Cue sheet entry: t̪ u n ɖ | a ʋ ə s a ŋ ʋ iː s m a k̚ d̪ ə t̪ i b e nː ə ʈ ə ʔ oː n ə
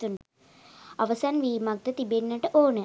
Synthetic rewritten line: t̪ u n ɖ | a ʋ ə s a n ʋ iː m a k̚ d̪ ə t̪ i b e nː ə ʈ ə ʔ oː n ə

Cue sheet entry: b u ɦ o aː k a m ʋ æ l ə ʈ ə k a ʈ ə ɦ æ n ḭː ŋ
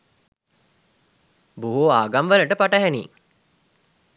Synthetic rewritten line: b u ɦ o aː ɡ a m ʋ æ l ə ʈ ə p a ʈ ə ɦ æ n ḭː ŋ

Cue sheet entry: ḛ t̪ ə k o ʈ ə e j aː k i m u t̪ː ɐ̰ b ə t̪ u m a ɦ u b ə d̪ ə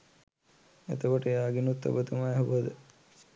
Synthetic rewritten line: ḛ t̪ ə k o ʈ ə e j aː ɡ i n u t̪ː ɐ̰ b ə t̪ u m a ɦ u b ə d̪ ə

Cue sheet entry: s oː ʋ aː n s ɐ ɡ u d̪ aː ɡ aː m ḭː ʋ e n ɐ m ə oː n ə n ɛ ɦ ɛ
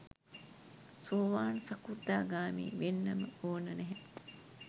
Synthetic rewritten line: s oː ʋ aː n s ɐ k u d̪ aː ɡ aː m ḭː ʋ e nː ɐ m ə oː n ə n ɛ ɦ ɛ

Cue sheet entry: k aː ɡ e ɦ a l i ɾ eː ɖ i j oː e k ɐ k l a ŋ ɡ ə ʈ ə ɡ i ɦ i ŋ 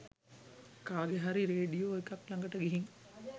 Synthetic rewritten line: k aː ɡ e ɦ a ɾ i ɾ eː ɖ i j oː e k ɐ k l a ŋ ɡ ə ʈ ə ɡ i ɦ i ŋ

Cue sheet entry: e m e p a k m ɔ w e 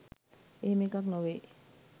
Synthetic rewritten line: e m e k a k n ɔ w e

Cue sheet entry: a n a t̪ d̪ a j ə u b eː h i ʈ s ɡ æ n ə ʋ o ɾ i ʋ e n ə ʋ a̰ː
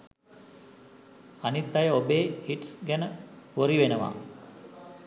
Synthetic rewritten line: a n i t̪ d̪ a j ə o b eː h i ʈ s ɡ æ n ə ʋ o ɾ i ʋ e n ə ʋ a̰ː

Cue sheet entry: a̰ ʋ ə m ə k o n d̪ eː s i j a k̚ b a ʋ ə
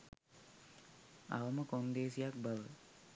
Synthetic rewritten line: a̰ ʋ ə m ə k o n d̪ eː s i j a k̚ b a ʋ ə

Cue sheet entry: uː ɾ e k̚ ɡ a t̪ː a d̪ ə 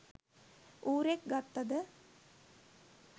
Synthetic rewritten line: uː ɾ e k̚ ɡ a t̪ː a d̪ ə

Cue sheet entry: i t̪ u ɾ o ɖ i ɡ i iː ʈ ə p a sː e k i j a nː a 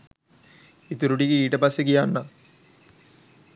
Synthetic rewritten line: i t̪ u ɾ u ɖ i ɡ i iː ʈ ə p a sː e k i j a nː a

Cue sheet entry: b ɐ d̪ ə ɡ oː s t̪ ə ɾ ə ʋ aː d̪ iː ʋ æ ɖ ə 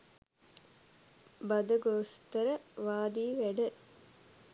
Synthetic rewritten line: b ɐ d̪ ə ɡ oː s t̪ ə ɾ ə ʋ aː d̪ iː ʋ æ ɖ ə

